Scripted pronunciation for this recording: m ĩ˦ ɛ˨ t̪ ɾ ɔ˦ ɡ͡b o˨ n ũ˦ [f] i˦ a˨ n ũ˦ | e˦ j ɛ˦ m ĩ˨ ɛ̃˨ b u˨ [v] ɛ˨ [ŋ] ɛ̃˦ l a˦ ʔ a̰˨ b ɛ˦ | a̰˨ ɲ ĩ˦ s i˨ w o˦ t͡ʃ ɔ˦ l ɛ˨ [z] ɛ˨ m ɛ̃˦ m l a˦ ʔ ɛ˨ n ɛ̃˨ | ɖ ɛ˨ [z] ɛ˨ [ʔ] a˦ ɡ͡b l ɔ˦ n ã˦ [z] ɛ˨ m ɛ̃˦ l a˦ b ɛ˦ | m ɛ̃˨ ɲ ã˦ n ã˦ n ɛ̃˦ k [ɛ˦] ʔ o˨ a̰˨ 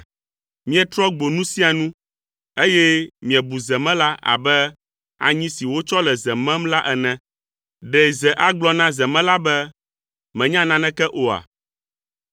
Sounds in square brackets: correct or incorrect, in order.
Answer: incorrect: s, incorrect: z, incorrect: m, correct, correct, correct, correct, correct

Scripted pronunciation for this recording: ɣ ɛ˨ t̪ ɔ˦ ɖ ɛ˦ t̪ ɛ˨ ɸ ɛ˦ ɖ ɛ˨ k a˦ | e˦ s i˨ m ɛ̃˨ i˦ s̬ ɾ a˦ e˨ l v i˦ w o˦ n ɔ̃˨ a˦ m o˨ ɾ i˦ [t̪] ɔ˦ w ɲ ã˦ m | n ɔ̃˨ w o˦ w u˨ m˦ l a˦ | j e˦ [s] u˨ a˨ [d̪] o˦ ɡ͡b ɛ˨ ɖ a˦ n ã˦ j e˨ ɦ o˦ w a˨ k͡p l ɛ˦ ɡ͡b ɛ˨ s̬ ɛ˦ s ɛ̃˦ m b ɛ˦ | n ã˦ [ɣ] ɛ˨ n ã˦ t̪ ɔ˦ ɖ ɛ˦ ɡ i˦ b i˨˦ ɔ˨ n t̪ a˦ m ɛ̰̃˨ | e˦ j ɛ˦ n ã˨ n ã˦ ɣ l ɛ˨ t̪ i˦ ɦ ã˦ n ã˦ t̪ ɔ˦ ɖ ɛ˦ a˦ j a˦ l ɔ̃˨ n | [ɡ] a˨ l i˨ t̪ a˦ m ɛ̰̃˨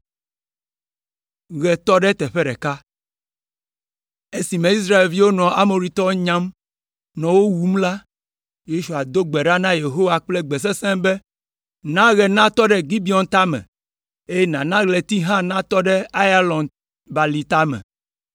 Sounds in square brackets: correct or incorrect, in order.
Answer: correct, incorrect: ʃ, correct, correct, incorrect: b

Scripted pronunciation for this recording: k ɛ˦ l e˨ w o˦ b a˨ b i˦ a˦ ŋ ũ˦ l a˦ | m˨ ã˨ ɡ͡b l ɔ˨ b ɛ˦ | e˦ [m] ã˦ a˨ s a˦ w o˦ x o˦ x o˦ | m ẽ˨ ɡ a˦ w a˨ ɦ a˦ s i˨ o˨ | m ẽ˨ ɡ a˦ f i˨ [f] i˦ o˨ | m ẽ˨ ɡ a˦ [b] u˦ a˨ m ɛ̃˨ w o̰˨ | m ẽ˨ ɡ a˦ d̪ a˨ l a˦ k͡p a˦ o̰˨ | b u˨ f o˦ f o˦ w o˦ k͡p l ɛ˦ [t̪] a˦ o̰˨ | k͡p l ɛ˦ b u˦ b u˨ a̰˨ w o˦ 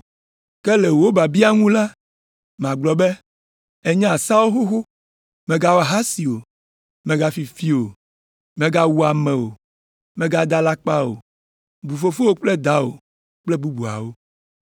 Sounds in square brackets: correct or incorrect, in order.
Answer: incorrect: ɲ, correct, incorrect: w, incorrect: d̪

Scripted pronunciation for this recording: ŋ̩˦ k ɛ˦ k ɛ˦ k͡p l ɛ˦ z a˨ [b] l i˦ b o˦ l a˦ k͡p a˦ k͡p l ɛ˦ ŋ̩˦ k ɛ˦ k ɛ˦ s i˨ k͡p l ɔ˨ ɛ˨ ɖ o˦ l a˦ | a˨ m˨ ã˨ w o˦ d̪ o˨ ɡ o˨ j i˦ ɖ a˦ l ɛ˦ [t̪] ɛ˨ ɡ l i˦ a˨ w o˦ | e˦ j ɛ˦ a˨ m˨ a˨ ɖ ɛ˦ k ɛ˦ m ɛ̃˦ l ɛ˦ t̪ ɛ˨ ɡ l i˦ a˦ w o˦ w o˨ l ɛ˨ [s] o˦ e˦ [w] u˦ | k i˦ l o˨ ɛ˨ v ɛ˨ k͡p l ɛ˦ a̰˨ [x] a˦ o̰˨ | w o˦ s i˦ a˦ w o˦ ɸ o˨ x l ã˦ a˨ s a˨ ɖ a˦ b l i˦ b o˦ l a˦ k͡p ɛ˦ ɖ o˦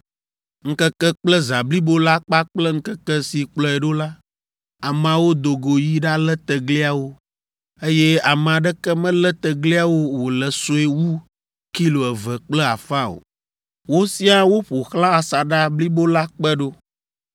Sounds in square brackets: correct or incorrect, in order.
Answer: correct, correct, correct, correct, incorrect: f

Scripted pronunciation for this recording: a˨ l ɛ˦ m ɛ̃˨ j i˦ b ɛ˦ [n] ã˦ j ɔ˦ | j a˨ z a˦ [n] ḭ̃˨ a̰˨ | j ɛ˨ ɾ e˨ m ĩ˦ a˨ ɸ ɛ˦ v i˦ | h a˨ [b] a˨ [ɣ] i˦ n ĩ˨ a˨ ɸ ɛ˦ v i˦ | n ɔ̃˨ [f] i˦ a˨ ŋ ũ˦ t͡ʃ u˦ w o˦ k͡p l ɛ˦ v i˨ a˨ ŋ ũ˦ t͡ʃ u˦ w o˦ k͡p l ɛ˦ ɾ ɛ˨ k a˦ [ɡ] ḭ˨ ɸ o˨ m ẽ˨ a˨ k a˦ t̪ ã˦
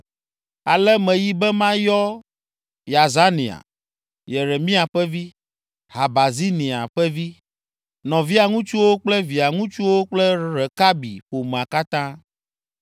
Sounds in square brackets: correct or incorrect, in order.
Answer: incorrect: m, correct, correct, incorrect: z, incorrect: v, incorrect: b

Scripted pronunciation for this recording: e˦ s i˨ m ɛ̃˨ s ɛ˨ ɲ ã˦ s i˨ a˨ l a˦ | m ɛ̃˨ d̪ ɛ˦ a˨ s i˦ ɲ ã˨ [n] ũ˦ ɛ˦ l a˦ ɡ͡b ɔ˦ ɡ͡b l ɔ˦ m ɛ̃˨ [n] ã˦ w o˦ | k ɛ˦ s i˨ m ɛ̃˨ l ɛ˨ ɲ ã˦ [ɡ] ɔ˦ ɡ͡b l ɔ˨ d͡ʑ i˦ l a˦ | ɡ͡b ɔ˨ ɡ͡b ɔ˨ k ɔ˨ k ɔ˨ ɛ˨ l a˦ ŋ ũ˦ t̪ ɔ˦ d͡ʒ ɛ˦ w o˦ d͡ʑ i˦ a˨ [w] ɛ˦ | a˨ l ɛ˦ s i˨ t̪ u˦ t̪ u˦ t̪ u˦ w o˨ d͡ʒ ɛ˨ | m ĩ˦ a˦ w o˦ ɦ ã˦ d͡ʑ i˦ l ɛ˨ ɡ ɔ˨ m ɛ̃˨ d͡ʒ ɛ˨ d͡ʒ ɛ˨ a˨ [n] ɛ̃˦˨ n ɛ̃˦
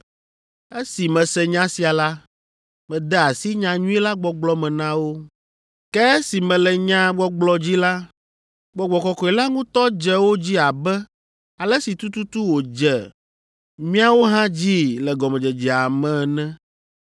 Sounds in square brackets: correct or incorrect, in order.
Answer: incorrect: ɲ, correct, incorrect: ɡ͡b, incorrect: b, incorrect: m

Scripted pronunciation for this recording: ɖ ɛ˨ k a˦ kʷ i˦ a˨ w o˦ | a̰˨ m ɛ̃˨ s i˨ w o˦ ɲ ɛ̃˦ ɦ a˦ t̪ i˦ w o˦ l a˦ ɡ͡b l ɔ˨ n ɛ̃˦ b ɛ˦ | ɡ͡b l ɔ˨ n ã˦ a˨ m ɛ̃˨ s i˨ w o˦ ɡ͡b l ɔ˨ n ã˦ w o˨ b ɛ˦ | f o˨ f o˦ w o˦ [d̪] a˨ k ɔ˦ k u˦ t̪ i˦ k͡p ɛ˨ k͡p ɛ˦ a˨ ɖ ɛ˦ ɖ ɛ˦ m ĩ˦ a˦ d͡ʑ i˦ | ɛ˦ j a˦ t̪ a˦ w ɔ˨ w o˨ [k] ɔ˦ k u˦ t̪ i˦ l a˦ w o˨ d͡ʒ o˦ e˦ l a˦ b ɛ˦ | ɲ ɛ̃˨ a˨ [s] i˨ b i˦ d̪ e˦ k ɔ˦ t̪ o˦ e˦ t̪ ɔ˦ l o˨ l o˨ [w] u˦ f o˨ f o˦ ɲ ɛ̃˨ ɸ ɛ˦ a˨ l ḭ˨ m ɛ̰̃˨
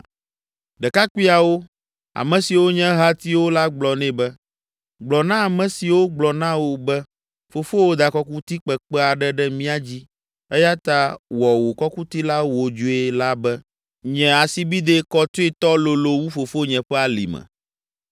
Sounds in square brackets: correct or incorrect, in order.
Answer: correct, correct, correct, correct

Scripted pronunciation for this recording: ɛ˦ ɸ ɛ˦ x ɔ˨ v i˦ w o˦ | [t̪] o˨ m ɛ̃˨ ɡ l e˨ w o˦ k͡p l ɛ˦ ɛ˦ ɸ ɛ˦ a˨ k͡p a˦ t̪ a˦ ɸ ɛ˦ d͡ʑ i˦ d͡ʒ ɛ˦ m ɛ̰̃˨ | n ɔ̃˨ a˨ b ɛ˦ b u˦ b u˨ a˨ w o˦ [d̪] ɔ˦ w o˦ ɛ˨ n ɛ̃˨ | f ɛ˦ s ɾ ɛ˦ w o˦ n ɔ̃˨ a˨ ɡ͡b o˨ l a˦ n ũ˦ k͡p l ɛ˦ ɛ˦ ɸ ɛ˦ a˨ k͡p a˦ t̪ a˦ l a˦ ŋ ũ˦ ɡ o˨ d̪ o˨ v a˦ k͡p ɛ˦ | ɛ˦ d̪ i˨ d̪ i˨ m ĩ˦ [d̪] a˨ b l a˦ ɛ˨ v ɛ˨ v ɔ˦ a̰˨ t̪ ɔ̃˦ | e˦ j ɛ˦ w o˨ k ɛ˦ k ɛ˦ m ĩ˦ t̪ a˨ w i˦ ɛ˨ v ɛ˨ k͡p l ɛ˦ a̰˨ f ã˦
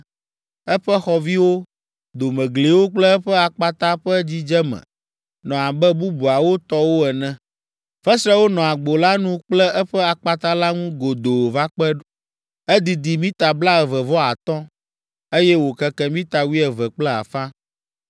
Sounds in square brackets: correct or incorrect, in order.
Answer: incorrect: d̪, incorrect: t̪, incorrect: t̪

